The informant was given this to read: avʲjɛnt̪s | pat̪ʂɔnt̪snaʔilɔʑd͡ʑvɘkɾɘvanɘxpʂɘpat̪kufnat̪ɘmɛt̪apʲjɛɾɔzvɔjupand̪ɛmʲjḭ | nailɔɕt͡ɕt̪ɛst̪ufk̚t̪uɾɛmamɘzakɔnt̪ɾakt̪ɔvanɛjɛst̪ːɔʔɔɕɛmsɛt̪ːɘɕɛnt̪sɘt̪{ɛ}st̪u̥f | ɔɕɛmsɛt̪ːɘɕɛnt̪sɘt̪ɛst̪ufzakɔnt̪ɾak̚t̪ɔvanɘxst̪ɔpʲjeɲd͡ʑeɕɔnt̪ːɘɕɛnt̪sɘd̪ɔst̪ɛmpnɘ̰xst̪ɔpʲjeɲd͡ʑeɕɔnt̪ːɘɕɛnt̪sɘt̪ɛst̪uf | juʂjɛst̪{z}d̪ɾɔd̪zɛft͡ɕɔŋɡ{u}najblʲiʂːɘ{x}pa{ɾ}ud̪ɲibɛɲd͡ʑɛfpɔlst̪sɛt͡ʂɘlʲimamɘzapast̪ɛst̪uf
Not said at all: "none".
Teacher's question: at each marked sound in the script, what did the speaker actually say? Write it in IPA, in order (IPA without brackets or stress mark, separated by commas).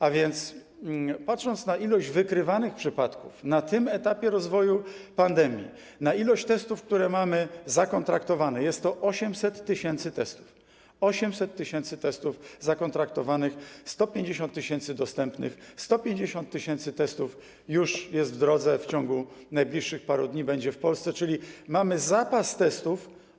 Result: ɛ, v, u, x, ɾ